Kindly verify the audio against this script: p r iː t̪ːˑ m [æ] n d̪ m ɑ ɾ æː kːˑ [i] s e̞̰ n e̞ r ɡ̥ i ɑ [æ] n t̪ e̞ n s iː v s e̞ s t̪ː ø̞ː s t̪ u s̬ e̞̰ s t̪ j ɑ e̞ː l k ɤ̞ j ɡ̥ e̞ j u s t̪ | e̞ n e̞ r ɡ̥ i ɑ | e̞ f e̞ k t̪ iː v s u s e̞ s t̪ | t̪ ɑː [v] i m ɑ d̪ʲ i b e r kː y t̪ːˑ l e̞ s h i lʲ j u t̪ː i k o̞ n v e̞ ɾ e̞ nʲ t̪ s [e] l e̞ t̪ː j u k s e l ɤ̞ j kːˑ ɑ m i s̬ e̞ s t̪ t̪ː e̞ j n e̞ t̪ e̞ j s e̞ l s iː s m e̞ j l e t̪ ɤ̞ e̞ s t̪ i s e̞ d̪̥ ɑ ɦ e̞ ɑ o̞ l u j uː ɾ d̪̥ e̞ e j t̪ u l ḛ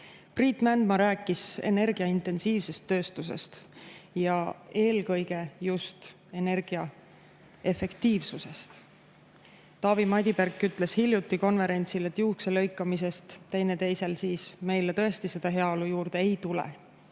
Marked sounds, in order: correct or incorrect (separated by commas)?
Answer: correct, correct, incorrect, correct, incorrect